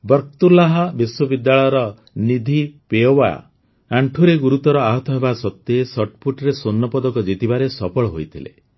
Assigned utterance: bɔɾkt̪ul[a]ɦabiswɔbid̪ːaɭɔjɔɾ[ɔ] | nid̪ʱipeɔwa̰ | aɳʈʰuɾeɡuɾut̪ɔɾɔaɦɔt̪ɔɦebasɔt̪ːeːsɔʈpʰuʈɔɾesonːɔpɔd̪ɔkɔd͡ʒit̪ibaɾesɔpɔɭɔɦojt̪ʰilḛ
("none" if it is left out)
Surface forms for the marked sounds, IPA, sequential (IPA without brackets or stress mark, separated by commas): a, ɔ